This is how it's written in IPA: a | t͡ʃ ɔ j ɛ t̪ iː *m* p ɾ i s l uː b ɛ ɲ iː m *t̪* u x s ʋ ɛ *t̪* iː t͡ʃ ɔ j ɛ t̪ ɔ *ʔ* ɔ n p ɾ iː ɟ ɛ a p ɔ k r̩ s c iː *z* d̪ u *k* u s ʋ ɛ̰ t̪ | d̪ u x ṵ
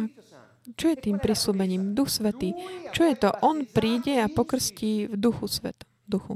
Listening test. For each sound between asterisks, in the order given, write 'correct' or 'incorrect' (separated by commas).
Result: correct, incorrect, correct, correct, incorrect, incorrect